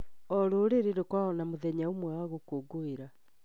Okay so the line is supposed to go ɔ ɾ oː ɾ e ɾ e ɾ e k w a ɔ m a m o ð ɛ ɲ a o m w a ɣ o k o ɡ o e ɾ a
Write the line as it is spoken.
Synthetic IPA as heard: ɔ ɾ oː ɾ e ɾ e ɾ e k w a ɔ n a m o ð ɛ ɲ a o m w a ɣ o k o ɡ o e ɾ a